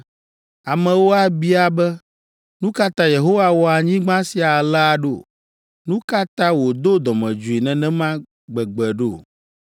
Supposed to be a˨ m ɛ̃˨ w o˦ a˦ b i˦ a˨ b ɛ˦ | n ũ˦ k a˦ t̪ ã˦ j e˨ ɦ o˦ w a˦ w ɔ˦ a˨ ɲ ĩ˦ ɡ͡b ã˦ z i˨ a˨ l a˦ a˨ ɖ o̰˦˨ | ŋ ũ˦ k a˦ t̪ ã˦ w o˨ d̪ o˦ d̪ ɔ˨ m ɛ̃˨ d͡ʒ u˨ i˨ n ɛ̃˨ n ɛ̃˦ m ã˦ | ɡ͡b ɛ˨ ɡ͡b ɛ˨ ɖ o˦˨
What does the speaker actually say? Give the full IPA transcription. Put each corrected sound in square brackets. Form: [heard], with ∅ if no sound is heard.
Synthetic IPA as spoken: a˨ m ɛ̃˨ w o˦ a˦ b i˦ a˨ b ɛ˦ | n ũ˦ k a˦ t̪ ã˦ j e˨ ɦ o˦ w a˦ w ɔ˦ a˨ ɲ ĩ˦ ɡ͡b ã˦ [s] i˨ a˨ l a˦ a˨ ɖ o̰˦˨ | [n] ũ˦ k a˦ t̪ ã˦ w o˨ d̪ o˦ d̪ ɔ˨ m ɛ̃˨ d͡ʒ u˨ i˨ n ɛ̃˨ n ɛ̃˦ m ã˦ | ɡ͡b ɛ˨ ɡ͡b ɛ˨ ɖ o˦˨